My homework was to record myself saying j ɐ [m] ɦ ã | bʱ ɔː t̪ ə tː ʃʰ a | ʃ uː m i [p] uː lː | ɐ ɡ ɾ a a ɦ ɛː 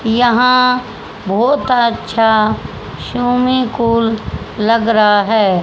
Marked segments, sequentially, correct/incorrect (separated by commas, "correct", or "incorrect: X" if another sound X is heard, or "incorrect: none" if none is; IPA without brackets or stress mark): incorrect: none, incorrect: k